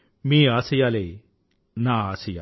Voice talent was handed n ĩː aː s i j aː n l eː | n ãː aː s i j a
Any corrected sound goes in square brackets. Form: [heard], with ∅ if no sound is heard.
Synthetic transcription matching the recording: [m] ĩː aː s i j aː [∅] l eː | n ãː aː s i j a

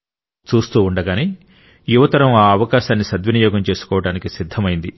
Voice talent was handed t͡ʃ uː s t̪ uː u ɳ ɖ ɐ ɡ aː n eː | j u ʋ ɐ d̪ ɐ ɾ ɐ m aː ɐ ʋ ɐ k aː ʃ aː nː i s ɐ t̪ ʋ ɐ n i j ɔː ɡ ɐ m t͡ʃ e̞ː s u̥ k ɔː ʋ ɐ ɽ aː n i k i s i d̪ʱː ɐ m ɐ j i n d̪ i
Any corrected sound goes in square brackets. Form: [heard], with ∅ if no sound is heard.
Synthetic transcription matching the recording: t͡ʃ uː s t̪ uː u ɳ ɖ ɐ ɡ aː n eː | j u ʋ ɐ [t̪] ɐ ɾ ɐ m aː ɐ ʋ ɐ k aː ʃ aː nː i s ɐ [d̪] ʋ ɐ n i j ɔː ɡ ɐ m t͡ʃ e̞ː s u̥ k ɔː ʋ ɐ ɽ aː n i k i s i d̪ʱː ɐ m ɐ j i n d̪ i

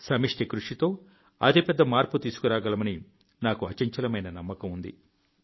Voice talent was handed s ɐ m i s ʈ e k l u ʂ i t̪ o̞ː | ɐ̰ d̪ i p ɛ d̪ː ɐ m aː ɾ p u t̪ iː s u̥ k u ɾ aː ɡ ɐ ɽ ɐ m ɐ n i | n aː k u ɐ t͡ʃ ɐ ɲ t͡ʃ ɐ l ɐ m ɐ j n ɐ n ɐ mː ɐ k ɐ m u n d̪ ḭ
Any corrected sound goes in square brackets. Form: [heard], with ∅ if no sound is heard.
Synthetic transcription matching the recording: s ɐ m i [ʂ] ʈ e k [ɾ] u ʂ i t̪ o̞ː | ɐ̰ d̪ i p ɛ d̪ː ɐ m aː ɾ p u t̪ iː s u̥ k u ɾ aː ɡ ɐ [l] ɐ m ɐ n i | n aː k u ɐ t͡ʃ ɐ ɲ t͡ʃ ɐ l ɐ m ɐ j n ɐ n ɐ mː ɐ k ɐ m u n d̪ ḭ

